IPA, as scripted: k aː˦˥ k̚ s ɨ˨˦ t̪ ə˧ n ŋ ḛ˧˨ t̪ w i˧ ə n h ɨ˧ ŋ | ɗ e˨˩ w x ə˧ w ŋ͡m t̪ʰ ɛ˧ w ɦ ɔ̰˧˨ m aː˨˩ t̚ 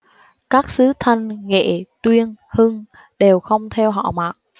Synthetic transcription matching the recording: k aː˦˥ k̚ s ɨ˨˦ t̪ʰ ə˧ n ŋ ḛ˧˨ t̪ w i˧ ə n h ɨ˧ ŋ | ɗ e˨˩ w x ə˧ w ŋ͡m t̪ʰ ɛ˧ w ɦ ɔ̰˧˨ m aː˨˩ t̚

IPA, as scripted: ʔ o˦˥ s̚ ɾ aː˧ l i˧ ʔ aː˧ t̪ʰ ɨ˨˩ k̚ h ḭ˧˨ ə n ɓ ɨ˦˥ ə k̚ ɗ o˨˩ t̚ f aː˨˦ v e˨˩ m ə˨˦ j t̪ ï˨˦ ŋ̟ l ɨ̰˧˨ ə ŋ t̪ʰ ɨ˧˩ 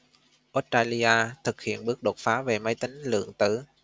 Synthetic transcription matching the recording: ʔ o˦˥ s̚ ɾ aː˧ l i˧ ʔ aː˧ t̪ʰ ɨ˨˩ k̚ h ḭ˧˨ ə n ɓ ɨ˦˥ ə k̚ ɗ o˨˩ t̚ f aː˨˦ v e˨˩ m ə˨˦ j t̪ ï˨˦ ŋ̟ l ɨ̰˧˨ ə ŋ t̪ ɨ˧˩

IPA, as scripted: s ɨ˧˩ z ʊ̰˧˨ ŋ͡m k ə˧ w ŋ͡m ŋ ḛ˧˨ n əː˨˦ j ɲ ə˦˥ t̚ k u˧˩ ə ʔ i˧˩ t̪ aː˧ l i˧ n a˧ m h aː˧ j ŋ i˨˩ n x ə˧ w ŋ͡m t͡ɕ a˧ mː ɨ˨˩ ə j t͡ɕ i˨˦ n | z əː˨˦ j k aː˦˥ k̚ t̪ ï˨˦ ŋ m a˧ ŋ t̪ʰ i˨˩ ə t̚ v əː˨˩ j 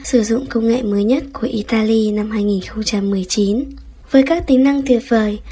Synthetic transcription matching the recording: s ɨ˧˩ z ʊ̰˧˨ ŋ͡m k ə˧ w ŋ͡m ŋ ḛ˧˨ m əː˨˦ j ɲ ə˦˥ t̚ k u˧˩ ə ʔ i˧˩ t̪ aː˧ l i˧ n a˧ m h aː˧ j ŋ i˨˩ n x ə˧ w ŋ͡m t͡ɕ a˧ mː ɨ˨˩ ə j t͡ɕ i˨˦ n | v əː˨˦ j k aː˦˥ k̚ t̪ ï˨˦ ŋ n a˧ ŋ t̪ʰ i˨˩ ə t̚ v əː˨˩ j

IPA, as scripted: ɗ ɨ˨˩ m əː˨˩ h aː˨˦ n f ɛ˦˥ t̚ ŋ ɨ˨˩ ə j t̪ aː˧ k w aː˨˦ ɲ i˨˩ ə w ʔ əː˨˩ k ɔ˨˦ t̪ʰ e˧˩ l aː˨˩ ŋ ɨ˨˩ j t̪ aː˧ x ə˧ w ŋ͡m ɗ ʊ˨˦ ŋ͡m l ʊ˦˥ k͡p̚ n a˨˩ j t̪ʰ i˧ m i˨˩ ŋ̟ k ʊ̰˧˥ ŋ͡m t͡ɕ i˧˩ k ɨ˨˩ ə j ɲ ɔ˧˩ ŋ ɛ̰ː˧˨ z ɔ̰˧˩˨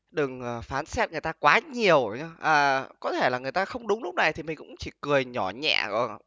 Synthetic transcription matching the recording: ɗ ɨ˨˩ ŋ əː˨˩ f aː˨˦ n s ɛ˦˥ t̚ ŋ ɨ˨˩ ə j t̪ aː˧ k w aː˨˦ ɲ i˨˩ ə w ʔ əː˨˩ k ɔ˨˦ t̪ʰ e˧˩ l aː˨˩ ŋ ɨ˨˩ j t̪ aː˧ x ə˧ w ŋ͡m ɗ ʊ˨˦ ŋ͡m l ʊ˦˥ k͡p̚ n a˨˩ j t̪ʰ i˨˩ m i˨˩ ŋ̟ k ʊ̰˧˥ ŋ͡m t͡ɕ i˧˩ k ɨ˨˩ ə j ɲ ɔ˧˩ ɲ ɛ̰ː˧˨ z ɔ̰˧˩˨

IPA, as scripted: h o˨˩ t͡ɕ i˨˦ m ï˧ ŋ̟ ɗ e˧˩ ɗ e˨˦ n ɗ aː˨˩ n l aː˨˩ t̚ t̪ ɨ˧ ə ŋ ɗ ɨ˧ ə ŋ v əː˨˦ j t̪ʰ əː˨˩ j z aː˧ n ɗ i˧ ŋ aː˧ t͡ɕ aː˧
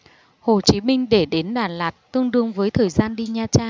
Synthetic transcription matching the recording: h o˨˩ t͡ɕ i˨˦ m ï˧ ŋ̟ ɗ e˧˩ ɗ e˨˦ n ɗ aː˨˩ n l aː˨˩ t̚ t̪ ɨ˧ ə ŋ ɗ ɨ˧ ə ŋ v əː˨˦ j t̪ʰ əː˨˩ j z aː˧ n ɗ i˧ ɲ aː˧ t͡ɕ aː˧

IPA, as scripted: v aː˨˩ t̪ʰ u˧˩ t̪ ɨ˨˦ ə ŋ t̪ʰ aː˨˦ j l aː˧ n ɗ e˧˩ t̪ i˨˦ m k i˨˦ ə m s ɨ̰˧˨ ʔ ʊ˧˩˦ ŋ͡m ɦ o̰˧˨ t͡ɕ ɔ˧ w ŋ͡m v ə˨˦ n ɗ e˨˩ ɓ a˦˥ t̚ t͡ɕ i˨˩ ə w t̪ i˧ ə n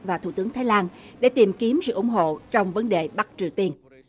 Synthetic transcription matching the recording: v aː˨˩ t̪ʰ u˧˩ t̪ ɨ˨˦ ə ŋ t̪ʰ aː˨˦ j l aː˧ n ɗ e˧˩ t̪ i˨˩ m k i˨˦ ə m s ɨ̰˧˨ ʔ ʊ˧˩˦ ŋ͡m ɦ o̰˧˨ t͡ɕ ɔ˧ w ŋ͡m v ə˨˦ n ɗ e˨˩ ɓ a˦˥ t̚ t͡ɕ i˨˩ ə w t̪ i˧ ə n

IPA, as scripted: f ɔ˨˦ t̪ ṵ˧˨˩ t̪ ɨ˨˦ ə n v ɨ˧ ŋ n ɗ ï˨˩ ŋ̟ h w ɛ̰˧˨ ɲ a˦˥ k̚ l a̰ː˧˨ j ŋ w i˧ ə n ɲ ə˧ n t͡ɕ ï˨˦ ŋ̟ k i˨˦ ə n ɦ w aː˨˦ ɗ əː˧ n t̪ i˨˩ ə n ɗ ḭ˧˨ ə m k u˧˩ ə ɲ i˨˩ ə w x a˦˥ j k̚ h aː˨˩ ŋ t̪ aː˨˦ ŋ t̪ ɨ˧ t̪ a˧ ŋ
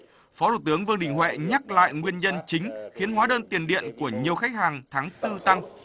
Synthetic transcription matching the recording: f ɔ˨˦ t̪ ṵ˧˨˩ t̪ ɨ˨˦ ə ŋ v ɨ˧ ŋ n ɗ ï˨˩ ŋ̟ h w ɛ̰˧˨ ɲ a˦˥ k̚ l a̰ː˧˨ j ŋ w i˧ ə n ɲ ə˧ n t͡ɕ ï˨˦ ŋ̟ x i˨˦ ə n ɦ w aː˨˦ ɗ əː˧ n t̪ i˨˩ ə n ɗ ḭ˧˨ ə n k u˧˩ ə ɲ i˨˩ ə w x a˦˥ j k̚ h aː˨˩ ŋ t̪ʰ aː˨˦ ŋ t̪ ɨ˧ t̪ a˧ ŋ

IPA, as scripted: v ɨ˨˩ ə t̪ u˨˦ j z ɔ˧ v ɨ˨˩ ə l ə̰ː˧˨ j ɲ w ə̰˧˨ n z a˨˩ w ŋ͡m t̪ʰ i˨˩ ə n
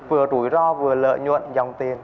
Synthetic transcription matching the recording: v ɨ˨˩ ə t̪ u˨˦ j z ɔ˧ v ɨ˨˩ ə l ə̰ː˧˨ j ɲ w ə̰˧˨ n z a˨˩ w ŋ͡m t̪ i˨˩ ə n

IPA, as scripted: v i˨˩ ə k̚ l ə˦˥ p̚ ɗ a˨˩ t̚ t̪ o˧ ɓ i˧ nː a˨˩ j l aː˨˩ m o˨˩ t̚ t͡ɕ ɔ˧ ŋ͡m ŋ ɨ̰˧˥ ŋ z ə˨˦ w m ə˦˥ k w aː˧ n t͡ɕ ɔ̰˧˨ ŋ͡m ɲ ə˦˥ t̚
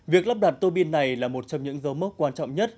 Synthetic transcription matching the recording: v i˨˩ ə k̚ l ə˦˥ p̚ ɗ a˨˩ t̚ t̪ o˧ ɓ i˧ nː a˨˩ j l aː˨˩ m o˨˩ t̚ t͡ɕ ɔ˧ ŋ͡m ɲ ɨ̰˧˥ ŋ z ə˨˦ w m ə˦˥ k w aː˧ n t͡ɕ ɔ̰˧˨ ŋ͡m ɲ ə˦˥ t̚

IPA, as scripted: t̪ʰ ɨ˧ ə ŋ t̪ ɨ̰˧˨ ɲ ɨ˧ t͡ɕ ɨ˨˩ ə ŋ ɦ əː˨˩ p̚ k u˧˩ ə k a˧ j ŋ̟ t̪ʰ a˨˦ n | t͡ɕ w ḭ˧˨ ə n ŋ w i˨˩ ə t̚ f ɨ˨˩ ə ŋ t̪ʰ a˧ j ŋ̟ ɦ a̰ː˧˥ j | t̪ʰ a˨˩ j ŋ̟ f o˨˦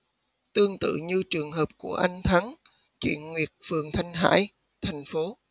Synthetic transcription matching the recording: t̪ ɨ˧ ə ŋ t̪ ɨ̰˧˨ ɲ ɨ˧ t͡ɕ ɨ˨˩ ə ŋ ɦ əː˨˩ p̚ k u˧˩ ə ʔ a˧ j ŋ̟ t̪ʰ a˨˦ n | t͡ɕ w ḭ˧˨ ə n ŋ w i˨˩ ə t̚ f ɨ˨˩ ə ŋ t̪ʰ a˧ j ŋ̟ ɦ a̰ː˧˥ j | t̪ʰ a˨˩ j ŋ̟ f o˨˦

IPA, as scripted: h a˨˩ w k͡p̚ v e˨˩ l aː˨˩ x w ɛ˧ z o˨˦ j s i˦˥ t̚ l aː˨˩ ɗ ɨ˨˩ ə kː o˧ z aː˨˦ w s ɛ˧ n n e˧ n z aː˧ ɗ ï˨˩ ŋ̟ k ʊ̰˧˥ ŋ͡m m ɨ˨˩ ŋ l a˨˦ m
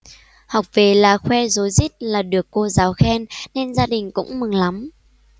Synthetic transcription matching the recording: h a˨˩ w k͡p̚ v e˨˩ l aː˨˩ x w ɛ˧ z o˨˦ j z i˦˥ t̚ l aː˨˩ ɗ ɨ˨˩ ə kː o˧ z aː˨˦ w x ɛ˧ n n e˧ n z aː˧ ɗ ï˨˩ ŋ̟ k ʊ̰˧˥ ŋ͡m m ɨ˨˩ ŋ l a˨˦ m

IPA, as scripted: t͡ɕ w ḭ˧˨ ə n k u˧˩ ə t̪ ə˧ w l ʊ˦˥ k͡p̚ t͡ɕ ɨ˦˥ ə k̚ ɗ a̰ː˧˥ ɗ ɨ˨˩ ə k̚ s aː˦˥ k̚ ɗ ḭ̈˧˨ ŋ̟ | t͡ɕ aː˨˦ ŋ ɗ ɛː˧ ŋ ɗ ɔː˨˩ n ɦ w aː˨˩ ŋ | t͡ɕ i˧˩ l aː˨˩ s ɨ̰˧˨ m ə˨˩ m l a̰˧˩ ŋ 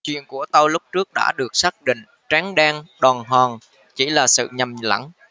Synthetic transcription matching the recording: t͡ɕ w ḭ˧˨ ə n k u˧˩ ə t̪ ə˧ w l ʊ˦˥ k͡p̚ t͡ɕ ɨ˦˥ ə k̚ ɗ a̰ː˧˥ ɗ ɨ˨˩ ə k̚ s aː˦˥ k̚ ɗ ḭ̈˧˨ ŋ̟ | t͡ɕ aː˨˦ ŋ ɗ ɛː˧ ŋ ɗ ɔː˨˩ n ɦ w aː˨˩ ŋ | t͡ɕ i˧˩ l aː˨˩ s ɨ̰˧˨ ɲ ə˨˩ m l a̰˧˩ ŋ

